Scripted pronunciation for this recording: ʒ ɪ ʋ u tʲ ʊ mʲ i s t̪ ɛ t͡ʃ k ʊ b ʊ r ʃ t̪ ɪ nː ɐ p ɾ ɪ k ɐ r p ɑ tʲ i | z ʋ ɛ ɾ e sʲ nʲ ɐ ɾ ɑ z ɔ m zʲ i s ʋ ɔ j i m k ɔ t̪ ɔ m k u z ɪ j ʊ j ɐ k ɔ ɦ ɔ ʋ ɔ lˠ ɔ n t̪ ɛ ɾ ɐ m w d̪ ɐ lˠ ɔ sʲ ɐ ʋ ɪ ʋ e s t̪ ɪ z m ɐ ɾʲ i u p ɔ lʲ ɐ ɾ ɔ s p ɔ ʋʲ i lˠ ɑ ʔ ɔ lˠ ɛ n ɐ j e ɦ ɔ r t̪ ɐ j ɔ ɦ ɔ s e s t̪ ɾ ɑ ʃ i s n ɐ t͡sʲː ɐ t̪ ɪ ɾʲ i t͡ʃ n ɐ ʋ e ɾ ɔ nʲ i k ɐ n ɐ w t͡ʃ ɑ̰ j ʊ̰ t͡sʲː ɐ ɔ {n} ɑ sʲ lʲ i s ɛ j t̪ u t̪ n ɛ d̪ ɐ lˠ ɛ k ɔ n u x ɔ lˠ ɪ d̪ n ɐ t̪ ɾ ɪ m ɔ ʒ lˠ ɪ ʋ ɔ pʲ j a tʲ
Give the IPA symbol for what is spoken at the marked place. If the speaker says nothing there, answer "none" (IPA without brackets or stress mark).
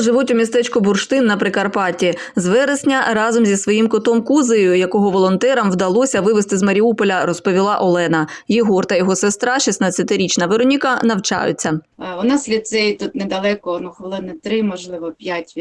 n